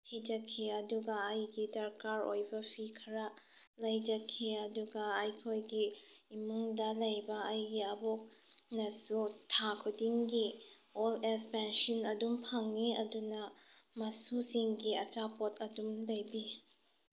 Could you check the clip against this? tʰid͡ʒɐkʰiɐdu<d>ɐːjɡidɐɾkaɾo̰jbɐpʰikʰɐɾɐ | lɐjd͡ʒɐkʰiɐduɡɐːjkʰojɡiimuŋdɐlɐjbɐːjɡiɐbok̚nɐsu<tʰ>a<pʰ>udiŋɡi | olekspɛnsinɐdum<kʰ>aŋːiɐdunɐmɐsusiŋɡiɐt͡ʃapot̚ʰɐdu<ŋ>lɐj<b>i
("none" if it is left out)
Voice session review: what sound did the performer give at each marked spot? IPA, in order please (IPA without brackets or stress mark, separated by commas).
ɡ, tʰ, kʰ, pʰ, m, b